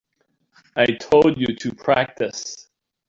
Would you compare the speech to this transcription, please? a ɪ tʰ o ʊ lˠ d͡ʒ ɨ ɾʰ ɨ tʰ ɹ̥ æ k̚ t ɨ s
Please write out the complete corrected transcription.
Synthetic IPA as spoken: a ɪ tʰ o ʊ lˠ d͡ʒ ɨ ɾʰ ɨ pʰ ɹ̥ æ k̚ t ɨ s